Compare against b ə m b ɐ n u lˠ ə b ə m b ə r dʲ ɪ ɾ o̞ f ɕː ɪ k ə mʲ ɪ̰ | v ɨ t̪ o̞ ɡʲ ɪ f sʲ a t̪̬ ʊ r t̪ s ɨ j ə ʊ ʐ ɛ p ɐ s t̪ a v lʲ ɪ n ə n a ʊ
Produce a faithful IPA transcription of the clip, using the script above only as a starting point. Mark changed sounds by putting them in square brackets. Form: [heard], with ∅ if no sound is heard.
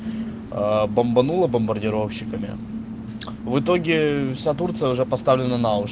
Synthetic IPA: b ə m b ɐ n u lˠ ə b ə m b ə r dʲ ɪ ɾ o̞ f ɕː ɪ k ə mʲ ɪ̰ | v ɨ t̪ o̞ ɡʲ ɪ f sʲ a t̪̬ [u] r t̪ s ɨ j ə ʊ ʐ ɛ p ɐ s t̪ a v lʲ ɪ n ə n a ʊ